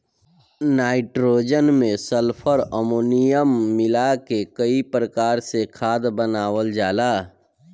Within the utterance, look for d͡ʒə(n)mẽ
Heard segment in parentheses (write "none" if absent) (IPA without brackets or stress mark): n